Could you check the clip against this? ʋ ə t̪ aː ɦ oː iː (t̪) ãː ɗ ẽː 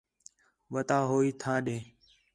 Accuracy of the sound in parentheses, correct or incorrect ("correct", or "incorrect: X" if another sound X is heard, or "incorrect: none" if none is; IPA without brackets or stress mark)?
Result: incorrect: t̪ʰ